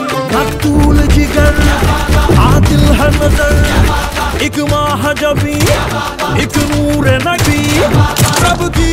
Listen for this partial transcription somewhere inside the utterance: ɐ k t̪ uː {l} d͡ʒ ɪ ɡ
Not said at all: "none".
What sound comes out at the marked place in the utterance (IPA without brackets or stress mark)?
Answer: l